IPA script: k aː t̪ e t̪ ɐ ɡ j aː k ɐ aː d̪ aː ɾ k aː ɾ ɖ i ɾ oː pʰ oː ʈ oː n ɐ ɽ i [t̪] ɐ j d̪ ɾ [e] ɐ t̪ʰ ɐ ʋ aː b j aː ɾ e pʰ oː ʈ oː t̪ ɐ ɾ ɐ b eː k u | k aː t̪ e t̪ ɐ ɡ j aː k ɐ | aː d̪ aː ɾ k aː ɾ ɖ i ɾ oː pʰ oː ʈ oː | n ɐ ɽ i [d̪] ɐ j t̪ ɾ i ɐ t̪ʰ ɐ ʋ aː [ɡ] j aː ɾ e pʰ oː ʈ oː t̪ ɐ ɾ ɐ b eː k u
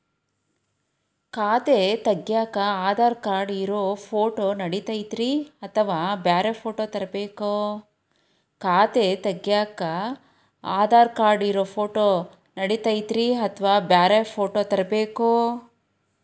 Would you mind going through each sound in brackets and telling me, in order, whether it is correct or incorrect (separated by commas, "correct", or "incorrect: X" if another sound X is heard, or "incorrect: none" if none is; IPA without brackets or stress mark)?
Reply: correct, incorrect: i, incorrect: t̪, incorrect: b